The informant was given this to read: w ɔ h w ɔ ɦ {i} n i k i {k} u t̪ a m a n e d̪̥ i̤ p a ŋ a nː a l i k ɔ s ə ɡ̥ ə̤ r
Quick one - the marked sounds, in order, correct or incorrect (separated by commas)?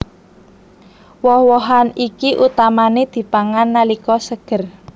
incorrect, incorrect